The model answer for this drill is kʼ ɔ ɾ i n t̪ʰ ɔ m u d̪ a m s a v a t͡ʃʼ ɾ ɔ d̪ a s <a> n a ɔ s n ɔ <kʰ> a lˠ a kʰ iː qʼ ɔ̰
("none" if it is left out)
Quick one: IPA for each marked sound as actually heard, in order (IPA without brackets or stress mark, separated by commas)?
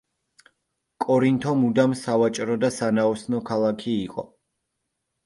a, kʰ